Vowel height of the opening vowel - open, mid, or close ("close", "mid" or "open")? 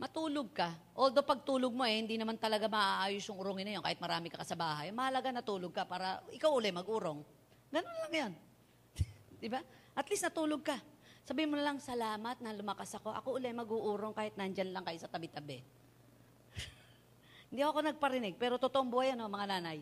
open